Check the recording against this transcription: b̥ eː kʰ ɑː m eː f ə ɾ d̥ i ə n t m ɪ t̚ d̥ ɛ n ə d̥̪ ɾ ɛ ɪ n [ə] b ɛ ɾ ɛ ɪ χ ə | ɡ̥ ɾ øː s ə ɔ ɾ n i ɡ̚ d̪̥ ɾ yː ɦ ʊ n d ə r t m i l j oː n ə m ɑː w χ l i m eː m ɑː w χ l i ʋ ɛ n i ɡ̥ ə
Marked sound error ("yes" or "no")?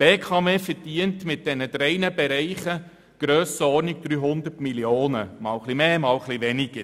no